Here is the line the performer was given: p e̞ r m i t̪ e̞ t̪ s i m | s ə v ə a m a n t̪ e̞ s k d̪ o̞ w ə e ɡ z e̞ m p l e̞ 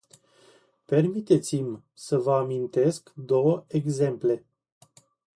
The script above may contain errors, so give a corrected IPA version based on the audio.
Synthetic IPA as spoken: p e̞ r m i t̪ e̞ t̪ s i m | s ə v ə a m i n t̪ e̞ s k d̪ o̞ w ə e ɡ z e̞ m p l e̞